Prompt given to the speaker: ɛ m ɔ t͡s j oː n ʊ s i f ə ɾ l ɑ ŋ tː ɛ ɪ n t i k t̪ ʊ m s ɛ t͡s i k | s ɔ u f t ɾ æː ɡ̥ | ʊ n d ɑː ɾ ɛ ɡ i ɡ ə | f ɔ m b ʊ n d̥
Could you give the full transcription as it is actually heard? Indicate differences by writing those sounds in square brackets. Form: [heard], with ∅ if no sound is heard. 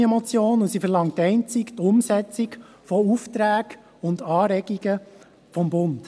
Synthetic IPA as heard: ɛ m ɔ t͡s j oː n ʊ s i f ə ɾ l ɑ ŋ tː ɛ ɪ n [t͡s] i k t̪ ʊ m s ɛ t͡s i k | [f] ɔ u f t ɾ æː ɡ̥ | ʊ n d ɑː ɾ ɛ ɡ i ɡ ə | f ɔ m b ʊ n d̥